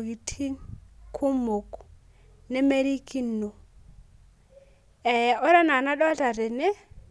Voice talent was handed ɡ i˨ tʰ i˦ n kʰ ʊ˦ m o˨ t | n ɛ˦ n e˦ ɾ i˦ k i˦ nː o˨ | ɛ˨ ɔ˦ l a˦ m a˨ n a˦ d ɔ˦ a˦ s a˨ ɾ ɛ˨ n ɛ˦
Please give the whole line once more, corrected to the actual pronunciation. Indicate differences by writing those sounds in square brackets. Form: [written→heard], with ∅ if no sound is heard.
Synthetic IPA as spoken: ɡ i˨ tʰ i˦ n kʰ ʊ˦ m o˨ [t→k] | n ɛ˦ [n→m] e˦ ɾ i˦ k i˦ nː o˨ | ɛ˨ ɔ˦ [l→ɾ] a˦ [m→n] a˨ n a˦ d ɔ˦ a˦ [s→t] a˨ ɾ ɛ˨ n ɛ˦